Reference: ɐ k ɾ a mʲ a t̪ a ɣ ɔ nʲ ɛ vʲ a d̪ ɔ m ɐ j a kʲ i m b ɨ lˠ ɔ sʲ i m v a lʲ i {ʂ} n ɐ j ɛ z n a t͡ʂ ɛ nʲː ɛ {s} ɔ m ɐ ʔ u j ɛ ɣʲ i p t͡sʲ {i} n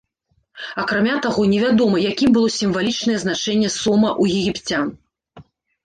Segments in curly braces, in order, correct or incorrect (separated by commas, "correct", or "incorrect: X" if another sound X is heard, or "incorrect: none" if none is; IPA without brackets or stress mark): incorrect: t͡ʂ, correct, incorrect: a